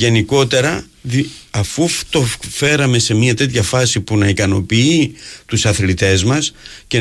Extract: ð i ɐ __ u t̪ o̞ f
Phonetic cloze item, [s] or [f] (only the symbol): f